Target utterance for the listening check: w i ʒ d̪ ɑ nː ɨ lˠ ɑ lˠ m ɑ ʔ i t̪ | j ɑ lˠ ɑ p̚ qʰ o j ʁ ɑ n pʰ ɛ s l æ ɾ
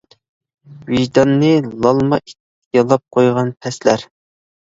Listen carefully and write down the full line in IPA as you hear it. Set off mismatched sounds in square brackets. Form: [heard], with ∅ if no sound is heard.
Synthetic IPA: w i ʒ d̪ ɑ nː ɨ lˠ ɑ lˠ m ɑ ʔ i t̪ | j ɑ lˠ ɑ p̚ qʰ o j ʁ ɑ n pʰ ɛ s l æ ɾ